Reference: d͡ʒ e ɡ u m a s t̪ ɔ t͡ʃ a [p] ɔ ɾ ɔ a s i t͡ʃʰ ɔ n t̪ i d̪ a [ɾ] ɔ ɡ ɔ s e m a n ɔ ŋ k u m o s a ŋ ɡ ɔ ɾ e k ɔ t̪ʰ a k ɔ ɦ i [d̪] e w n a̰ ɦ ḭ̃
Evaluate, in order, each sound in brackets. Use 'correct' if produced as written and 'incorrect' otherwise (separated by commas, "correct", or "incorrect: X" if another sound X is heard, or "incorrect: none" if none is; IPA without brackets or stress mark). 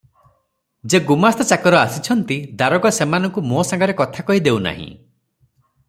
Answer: incorrect: k, correct, correct